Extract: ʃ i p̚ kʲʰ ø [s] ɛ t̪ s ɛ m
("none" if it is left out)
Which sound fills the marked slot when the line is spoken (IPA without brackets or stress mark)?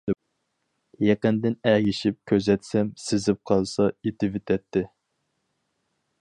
z